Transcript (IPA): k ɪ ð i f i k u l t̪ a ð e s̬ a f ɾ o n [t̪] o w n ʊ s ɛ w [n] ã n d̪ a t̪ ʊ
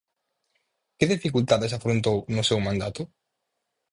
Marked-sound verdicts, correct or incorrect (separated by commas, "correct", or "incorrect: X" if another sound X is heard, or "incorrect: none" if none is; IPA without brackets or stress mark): correct, incorrect: m